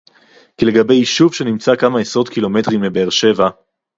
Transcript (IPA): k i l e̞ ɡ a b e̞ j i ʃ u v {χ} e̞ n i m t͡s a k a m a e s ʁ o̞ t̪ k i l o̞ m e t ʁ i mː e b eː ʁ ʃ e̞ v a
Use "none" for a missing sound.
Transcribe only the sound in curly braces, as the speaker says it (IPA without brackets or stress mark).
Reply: ʃ